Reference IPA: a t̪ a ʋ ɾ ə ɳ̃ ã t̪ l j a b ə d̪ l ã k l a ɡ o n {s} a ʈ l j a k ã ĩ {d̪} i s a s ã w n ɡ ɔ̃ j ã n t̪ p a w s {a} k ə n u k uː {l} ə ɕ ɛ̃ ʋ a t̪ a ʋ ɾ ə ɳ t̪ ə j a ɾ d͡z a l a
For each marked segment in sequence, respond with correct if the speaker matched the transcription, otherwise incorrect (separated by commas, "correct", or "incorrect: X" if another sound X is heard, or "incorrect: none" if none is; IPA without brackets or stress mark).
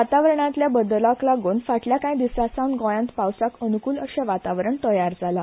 incorrect: f, correct, correct, correct